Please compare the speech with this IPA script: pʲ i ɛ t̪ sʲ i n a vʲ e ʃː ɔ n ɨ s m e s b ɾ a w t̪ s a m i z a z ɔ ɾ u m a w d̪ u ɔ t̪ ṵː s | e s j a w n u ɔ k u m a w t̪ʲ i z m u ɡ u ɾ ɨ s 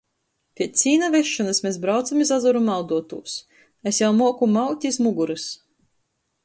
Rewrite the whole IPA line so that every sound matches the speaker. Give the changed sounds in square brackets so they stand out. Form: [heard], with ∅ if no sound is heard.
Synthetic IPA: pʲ i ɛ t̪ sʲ [iː] n a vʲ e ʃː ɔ n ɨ s m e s b ɾ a w t̪ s a m i z a z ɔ ɾ u m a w d̪ u ɔ t̪ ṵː s | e s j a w [m] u ɔ k u m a w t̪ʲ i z m u ɡ u ɾ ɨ s